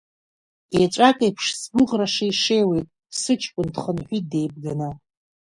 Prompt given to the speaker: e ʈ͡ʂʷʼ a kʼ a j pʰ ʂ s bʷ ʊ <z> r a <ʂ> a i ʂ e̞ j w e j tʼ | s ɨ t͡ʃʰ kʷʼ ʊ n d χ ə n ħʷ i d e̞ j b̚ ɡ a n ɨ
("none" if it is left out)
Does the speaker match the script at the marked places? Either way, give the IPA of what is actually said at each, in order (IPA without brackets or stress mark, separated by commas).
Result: ʁ, ʂ